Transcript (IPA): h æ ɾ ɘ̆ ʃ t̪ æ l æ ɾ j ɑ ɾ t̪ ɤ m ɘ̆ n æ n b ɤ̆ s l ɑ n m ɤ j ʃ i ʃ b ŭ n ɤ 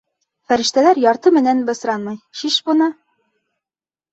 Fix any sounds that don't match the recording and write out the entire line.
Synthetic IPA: f æ ɾ ɘ̆ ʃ t̪ æ l æ ɾ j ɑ ɾ t̪ ɤ m ɘ̆ n æ n b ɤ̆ s ɾ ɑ n m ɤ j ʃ i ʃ b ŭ n ɤ